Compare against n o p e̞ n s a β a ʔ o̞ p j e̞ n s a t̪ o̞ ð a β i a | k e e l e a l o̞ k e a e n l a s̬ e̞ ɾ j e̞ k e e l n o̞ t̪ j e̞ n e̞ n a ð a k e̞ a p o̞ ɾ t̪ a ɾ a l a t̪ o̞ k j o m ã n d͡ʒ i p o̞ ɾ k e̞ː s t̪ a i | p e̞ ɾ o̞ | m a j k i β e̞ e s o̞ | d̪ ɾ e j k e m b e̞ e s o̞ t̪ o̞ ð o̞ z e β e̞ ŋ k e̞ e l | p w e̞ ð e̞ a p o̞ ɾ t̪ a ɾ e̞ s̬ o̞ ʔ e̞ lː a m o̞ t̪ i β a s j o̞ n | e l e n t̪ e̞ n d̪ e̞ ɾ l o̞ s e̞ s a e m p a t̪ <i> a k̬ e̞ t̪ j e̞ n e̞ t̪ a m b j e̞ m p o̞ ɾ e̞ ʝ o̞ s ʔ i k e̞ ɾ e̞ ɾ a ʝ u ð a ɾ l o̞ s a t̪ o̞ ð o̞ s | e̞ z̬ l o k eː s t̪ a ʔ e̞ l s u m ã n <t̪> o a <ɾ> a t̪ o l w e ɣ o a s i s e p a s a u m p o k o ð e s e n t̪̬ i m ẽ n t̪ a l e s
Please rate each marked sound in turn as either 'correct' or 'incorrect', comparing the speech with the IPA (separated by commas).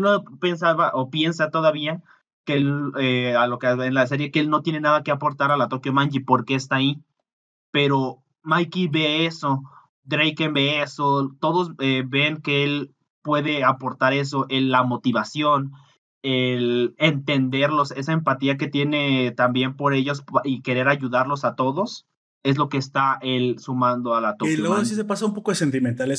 correct, incorrect, incorrect